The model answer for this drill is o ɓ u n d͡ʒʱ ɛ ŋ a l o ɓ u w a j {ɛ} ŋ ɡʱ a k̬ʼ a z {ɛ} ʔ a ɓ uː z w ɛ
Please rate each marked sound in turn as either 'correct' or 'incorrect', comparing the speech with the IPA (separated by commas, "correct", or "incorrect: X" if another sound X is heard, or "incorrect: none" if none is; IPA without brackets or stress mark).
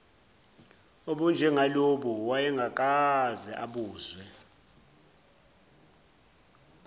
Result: correct, correct